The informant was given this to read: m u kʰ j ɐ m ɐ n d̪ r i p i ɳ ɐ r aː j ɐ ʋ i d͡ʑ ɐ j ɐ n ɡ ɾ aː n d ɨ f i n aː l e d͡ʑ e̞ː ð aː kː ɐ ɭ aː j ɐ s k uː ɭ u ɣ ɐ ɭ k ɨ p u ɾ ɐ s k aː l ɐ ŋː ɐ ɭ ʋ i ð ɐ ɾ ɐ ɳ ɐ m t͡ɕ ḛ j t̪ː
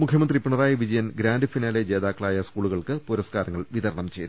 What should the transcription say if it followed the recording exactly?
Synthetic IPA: m u kʰ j ɐ m ɐ n d̪ r i p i ɳ ɐ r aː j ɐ ʋ i d͡ʑ ɐ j ɐ n ɡ ɾ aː n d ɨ f i n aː l e d͡ʑ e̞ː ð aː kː ɐ ɭ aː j ɐ s k uː ɭ u ɣ ɐ ɭ k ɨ p u ɾ ɐ s k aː ɾ ɐ ŋː ɐ ɭ ʋ i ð ɐ ɾ ɐ ɳ ɐ m t͡ɕ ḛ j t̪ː